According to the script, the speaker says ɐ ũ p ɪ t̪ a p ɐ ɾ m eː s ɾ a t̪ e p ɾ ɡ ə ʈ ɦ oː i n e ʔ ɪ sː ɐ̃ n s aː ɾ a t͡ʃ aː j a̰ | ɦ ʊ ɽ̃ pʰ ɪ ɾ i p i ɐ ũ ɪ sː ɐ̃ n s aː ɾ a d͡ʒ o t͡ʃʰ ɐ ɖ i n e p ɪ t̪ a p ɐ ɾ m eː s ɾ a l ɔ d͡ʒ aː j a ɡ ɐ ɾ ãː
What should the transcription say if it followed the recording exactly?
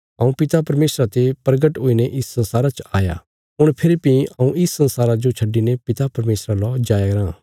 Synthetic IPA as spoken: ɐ ũ p ɪ t̪ a p ɐ ɾ m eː s ɾ a t̪ e p ɾ ɡ ə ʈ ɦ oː i n e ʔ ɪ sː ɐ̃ n s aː ɾ a t͡ʃ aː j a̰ | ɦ ʊ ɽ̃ pʰ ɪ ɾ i p i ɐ ũ ɪ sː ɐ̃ n s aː ɾ a d͡ʒ o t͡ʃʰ ɐ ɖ i n e p ɪ t̪ a p ɐ ɾ m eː s ɾ a l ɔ d͡ʒ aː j a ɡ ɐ ɾ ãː